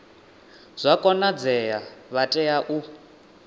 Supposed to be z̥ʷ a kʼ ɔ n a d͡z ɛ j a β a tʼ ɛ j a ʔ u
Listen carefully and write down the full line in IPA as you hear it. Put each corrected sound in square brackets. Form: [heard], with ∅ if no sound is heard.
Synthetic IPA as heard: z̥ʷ a kʼ ɔ n a d͡z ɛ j a β a tʼ ɛ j a ʔ u